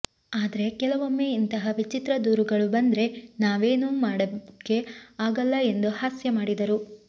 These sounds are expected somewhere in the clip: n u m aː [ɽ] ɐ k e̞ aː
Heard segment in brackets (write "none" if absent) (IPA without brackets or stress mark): ɽ